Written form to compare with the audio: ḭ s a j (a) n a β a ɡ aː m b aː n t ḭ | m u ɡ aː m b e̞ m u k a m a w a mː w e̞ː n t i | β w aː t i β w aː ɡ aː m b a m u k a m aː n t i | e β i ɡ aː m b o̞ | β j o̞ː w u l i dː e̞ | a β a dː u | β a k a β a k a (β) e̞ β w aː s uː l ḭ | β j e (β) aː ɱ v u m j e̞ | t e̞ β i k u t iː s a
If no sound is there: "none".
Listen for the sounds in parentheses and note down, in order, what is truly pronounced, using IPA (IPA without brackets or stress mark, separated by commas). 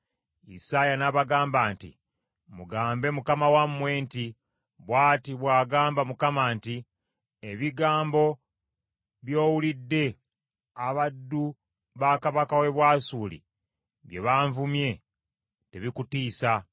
a, w, β